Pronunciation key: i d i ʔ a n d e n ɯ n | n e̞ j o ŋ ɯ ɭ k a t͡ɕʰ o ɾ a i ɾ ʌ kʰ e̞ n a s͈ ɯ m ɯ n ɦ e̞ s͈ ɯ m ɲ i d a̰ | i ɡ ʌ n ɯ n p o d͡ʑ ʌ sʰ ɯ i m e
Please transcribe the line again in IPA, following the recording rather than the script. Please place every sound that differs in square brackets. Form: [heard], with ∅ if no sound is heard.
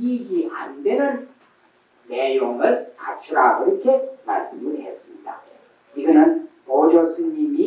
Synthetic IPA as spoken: i [ɡ] i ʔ a n d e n ɯ n | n e̞ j o ŋ ɯ ɭ k a t͡ɕʰ [u] ɾ a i ɾ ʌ kʰ e̞ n a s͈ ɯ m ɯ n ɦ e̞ s͈ ɯ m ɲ i d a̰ | i ɡ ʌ n ɯ n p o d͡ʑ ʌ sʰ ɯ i m [i]